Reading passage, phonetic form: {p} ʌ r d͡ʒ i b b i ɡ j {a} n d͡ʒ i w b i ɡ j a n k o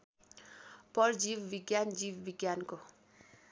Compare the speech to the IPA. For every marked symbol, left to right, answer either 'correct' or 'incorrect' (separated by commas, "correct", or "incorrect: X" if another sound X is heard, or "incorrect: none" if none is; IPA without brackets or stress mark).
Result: correct, correct